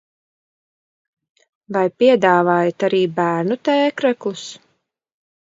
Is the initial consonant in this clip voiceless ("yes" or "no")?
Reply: no